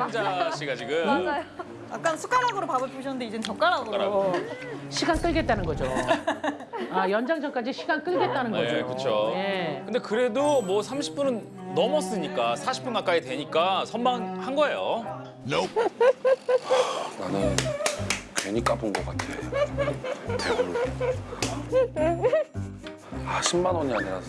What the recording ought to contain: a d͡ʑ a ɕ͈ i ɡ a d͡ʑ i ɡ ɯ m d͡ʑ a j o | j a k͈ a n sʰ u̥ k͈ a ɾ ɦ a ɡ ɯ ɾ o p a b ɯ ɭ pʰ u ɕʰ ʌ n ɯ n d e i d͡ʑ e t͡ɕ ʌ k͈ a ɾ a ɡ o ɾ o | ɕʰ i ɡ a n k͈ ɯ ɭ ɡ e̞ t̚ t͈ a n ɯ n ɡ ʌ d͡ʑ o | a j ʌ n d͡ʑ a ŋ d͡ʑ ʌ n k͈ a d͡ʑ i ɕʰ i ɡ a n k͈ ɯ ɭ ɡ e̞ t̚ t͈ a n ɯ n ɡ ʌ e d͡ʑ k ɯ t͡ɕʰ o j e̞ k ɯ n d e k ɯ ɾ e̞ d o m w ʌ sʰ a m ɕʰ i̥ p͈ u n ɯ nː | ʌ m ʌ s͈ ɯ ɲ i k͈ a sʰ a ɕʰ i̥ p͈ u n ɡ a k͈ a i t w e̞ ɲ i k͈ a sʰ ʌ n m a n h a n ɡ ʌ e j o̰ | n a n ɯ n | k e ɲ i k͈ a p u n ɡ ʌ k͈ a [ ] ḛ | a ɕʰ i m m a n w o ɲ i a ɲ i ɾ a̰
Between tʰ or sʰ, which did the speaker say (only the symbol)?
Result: tʰ